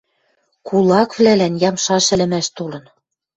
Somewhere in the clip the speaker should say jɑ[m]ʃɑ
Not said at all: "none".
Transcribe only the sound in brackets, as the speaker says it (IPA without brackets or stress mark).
m